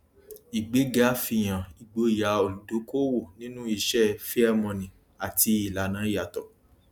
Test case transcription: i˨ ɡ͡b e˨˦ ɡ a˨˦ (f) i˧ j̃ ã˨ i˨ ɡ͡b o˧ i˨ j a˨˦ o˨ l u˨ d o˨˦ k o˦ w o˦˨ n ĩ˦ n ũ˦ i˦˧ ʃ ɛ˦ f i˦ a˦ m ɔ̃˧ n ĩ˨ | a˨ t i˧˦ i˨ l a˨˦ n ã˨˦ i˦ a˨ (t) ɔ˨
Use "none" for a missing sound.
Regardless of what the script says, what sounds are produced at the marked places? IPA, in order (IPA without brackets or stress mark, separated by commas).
f, t